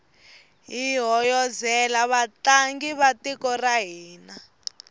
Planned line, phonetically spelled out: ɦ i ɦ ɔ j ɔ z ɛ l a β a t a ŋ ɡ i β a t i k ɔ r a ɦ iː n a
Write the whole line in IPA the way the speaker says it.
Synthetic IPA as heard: ɦ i ɦ ɔ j ɔ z ɛ l a β a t a ŋ ɡ i β a t i k ɔ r a ɦ iː n a